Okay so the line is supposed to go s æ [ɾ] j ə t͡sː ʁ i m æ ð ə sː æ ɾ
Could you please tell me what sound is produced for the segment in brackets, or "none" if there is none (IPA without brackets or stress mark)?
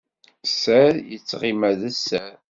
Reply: ɾ